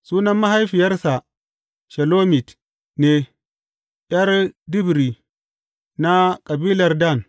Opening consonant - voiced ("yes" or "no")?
no